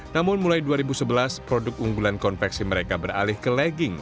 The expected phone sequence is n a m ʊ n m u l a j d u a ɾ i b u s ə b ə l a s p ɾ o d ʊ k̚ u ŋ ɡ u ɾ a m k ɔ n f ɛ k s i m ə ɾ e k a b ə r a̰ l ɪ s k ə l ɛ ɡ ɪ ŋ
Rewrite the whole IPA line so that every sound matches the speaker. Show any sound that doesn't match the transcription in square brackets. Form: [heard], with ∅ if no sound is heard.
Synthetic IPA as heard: n a m ʊ n m u l a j d u a ɾ i b u s ə b ə l a s p ɾ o d ʊ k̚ u ŋ ɡ u [l] a [n] k ɔ n f ɛ k s i m ə ɾ e k a b ə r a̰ l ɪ [h] k ə l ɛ ɡ ɪ ŋ